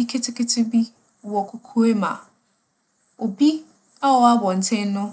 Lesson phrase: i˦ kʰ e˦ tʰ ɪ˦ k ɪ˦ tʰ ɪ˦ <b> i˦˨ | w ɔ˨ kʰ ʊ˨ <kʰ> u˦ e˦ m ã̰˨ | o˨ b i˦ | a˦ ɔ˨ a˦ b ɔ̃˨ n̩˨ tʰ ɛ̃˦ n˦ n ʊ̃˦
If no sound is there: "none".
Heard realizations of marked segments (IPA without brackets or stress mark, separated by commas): b, kʰ